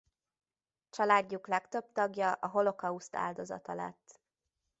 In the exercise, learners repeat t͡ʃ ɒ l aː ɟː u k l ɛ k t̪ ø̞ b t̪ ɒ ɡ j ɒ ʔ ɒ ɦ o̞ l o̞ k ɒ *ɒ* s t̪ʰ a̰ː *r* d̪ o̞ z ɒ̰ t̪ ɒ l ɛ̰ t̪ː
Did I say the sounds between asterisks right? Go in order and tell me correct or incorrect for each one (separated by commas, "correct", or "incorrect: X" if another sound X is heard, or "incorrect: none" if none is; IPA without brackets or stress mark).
incorrect: u, incorrect: l